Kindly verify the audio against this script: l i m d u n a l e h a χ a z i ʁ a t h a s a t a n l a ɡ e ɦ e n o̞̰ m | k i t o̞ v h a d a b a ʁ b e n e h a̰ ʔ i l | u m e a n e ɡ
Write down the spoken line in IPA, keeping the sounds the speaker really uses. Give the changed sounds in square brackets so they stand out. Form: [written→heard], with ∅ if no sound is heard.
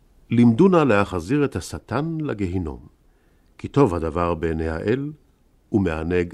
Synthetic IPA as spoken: l i m d u n a l e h a χ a z i ʁ [a→e] t h a s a t a n l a ɡ e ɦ [e→i] n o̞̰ m | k i t o̞ v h a d a [b→v] a ʁ b e n e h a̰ ʔ [i→e] l | u m e a n e ɡ